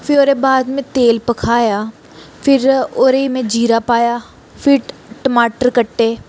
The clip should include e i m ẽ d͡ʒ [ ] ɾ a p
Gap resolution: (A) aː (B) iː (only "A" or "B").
B